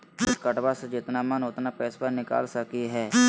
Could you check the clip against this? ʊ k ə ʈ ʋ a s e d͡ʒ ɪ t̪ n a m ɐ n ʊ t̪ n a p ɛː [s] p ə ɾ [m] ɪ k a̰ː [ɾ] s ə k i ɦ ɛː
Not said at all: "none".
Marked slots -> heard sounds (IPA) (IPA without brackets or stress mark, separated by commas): s, n, l